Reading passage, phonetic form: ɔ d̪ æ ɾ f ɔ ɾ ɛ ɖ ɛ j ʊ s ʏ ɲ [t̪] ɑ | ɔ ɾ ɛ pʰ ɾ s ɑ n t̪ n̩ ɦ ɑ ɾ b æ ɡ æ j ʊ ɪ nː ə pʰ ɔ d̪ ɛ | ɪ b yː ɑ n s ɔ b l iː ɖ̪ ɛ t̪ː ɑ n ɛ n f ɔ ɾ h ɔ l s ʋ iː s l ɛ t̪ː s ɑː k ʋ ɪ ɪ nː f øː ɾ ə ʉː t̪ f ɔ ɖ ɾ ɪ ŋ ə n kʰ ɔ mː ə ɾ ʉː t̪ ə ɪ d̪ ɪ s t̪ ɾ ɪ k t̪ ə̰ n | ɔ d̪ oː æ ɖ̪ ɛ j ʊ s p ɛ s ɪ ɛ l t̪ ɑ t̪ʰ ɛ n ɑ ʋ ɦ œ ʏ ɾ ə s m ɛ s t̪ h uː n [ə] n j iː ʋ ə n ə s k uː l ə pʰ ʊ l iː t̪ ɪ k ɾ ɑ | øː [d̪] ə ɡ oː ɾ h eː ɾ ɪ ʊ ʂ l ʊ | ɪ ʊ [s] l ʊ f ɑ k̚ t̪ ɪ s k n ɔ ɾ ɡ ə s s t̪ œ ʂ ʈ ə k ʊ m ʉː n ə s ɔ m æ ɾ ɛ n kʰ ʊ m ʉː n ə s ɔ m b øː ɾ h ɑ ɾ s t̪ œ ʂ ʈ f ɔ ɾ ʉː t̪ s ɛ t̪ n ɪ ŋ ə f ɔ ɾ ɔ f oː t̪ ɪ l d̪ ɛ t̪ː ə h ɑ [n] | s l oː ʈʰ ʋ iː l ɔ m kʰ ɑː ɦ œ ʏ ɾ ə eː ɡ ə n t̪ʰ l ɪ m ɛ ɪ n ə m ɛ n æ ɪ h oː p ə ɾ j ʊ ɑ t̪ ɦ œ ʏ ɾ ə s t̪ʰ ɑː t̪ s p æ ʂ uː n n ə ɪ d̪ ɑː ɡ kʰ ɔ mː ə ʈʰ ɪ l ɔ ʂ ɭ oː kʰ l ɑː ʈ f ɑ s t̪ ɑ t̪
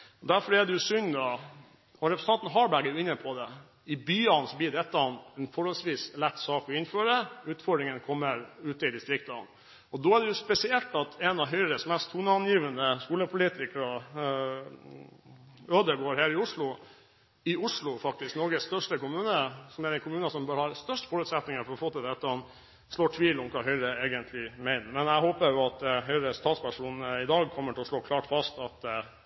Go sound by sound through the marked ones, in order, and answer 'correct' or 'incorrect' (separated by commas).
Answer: incorrect, incorrect, correct, incorrect, correct